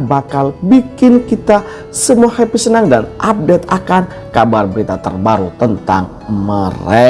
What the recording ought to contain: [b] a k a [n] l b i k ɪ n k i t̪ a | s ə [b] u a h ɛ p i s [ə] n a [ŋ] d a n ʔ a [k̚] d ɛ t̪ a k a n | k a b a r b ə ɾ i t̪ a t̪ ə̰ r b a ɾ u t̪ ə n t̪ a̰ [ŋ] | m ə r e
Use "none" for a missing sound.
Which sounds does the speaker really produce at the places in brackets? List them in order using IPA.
b, none, m, ə, ŋ, p̚, ŋ

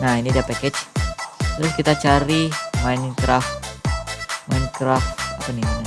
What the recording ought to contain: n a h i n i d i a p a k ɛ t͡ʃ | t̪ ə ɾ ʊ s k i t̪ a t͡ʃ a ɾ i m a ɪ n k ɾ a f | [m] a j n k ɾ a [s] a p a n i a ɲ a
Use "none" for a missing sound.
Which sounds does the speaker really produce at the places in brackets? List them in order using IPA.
m, f

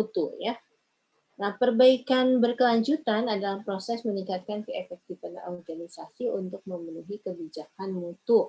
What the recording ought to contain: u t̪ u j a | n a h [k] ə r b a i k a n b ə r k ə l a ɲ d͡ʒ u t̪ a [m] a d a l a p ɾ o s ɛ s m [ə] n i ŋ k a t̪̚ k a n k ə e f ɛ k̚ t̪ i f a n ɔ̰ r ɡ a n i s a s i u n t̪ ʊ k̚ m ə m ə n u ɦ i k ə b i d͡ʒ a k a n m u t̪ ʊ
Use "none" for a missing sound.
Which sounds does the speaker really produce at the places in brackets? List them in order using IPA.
p, n, ə

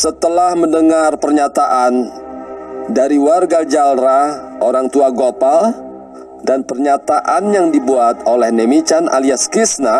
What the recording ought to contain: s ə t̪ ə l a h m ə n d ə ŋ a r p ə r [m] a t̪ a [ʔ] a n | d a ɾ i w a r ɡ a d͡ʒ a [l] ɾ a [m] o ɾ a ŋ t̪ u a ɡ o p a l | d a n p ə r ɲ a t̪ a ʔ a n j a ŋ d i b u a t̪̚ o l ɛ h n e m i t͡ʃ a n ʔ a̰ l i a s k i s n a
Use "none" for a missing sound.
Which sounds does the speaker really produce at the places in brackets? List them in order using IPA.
ɲ, ʔ, l, none

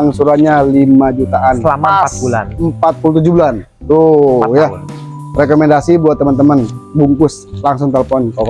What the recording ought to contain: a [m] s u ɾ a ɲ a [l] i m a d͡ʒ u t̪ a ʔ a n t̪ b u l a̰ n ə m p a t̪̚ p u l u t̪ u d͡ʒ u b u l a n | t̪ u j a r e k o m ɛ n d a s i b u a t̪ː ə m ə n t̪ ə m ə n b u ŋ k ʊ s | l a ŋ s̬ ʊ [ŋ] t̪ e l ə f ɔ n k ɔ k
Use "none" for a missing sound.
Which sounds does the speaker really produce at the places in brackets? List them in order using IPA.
ŋ, l, ŋ

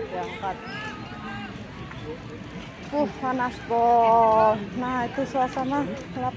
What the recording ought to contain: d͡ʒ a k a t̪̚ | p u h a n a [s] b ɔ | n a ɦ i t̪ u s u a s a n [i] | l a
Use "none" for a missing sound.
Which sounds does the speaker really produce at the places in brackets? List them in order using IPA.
s, a

